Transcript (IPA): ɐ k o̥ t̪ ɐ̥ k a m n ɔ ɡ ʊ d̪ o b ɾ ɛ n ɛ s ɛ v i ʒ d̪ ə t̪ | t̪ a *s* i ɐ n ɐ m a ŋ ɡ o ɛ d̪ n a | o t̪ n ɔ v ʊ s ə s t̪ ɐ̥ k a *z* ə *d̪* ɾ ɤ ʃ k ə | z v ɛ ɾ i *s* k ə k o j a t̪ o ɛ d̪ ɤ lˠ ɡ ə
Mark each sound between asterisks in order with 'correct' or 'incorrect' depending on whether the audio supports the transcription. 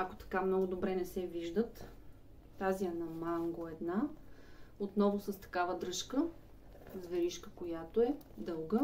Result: incorrect: z, incorrect: v, correct, incorrect: ʃ

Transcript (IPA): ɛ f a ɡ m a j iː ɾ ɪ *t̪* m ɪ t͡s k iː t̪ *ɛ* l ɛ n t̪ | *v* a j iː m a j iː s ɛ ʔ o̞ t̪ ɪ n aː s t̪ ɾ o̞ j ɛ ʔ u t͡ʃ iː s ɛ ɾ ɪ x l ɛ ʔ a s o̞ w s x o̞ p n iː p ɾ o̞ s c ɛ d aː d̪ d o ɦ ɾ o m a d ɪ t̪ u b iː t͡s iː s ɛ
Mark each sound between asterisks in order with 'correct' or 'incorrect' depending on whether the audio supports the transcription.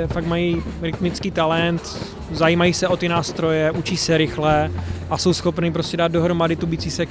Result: correct, incorrect: a, incorrect: z

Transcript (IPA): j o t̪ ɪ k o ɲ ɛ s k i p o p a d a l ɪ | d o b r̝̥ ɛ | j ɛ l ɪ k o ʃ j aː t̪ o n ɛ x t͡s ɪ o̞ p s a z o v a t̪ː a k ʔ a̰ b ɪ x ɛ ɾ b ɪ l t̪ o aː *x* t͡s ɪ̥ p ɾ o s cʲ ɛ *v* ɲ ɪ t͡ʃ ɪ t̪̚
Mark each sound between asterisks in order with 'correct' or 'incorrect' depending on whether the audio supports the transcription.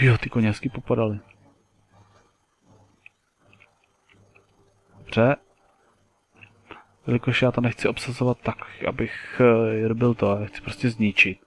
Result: correct, incorrect: z

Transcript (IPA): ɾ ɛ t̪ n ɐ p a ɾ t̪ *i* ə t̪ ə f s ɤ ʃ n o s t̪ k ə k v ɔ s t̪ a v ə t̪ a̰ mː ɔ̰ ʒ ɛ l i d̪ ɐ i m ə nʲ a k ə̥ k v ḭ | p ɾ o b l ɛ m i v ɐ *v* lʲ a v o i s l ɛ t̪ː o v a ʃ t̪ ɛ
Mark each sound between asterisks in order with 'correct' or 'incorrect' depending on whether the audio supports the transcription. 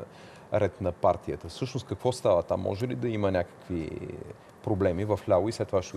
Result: correct, incorrect: f

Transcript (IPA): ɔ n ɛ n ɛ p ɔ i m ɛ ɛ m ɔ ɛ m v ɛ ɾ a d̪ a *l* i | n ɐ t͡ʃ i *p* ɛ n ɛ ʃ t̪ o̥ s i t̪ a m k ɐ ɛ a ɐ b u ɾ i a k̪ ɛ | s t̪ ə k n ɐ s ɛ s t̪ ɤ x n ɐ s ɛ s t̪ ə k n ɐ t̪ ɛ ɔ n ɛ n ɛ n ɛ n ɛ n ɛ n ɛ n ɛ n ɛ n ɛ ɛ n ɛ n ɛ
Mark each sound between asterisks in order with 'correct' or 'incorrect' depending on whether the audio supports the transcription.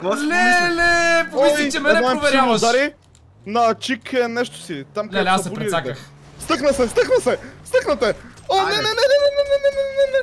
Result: incorrect: ɾ, incorrect: k

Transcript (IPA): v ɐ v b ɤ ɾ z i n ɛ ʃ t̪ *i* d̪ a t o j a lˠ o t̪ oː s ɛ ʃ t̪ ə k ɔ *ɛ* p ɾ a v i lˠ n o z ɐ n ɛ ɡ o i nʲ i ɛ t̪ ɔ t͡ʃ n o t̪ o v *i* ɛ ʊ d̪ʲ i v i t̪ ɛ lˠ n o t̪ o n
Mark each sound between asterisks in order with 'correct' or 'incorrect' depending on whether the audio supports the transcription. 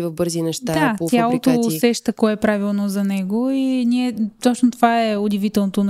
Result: incorrect: a, correct, incorrect: a

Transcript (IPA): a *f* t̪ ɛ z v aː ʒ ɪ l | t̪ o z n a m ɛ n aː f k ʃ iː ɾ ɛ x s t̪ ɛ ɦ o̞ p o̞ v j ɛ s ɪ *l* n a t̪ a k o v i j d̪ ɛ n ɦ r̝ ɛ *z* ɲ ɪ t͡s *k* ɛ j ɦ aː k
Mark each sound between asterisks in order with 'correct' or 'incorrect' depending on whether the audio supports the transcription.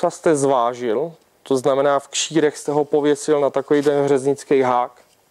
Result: incorrect: s, correct, correct, correct

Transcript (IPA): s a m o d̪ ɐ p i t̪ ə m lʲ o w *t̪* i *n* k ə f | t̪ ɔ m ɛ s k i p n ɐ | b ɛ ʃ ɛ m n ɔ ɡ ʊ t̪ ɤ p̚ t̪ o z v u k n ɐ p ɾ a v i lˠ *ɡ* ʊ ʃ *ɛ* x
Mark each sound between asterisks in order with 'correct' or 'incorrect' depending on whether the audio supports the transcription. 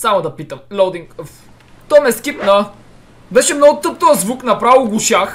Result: incorrect: d̪, incorrect: ŋ, correct, incorrect: a

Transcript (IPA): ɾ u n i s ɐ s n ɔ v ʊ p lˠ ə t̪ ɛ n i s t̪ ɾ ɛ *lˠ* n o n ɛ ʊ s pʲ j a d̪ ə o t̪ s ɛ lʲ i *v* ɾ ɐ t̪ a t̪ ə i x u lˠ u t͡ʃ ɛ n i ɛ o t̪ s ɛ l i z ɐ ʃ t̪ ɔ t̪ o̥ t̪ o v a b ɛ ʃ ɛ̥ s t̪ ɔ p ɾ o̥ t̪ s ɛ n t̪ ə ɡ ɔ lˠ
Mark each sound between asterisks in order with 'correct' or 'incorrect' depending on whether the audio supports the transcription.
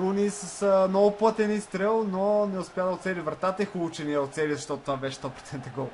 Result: correct, correct

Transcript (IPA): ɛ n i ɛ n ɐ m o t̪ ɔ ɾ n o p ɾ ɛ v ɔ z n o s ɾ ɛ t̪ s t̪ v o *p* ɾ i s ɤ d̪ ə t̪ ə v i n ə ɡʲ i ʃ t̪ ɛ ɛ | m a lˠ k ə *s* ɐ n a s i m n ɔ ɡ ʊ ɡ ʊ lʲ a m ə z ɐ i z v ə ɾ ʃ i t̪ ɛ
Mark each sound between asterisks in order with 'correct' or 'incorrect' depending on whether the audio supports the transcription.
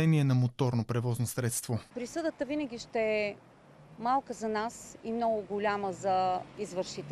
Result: correct, incorrect: z

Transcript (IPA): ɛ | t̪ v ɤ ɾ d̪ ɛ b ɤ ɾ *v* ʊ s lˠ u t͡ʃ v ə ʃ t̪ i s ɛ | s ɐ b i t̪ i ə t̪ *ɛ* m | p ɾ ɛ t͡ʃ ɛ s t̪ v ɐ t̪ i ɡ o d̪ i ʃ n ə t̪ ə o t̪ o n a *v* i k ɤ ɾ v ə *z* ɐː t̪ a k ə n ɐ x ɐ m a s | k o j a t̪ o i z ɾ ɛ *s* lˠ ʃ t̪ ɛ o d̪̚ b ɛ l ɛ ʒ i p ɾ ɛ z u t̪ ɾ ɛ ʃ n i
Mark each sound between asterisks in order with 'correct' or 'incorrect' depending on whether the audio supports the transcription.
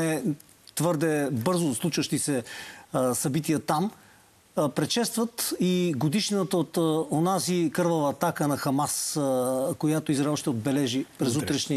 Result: incorrect: z, incorrect: a, incorrect: z, incorrect: v, incorrect: none

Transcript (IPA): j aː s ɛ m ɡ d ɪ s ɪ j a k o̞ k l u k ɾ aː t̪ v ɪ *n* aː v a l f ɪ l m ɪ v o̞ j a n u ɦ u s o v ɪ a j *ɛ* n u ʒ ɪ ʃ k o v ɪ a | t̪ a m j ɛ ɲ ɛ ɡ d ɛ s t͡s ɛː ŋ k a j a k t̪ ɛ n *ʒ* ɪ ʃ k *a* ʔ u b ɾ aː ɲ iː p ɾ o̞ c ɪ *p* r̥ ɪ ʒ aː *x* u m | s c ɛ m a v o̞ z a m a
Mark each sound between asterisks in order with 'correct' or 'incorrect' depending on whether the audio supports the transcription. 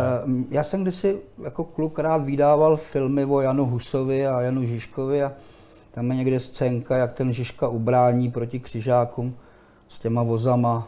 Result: incorrect: d, incorrect: a, correct, correct, incorrect: k, incorrect: k

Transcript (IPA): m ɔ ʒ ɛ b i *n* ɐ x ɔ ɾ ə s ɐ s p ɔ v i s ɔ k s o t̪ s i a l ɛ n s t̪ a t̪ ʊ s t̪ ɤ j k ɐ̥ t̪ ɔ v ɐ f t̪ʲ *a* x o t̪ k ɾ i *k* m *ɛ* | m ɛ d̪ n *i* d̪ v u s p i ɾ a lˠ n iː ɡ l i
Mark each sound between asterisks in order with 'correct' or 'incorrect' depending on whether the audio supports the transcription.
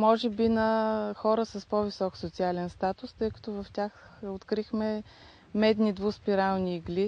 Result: correct, correct, incorrect: x, correct, correct

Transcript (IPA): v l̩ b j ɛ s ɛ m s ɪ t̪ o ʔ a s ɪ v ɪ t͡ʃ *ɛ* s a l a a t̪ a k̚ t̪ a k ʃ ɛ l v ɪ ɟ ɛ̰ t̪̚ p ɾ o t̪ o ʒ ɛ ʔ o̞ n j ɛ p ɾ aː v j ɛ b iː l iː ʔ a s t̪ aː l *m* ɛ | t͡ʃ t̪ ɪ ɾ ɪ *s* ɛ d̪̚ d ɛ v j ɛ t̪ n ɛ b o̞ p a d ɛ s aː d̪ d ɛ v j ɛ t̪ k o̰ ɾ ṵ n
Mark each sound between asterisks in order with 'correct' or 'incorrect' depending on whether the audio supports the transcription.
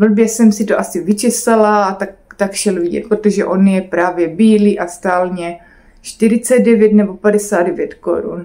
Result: correct, incorrect: ɲ, incorrect: t͡s

